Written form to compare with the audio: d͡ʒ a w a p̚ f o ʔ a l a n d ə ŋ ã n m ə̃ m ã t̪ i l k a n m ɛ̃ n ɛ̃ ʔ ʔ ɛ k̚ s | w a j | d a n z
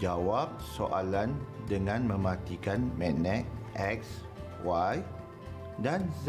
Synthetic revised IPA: d͡ʒ a w a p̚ s o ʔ a l a n d ə ŋ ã n m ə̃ m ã t̪ i k a n m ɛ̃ n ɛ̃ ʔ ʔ ɛ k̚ s | w a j | d a n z